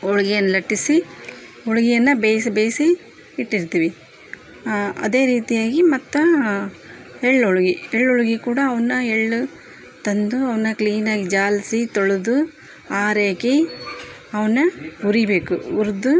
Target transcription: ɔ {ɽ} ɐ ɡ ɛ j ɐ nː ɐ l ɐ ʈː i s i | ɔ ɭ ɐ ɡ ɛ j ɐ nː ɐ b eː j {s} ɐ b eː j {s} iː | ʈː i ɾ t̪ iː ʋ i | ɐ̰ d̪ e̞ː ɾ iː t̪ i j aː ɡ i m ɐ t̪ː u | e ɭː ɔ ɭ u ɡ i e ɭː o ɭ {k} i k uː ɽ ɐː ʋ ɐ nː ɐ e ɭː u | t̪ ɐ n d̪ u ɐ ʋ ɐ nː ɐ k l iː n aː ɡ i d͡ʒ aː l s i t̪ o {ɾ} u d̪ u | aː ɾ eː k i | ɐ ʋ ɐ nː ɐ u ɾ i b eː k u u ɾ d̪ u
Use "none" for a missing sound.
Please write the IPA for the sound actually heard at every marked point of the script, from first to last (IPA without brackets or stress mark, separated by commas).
ɭ, s, s, ɡ, ɭ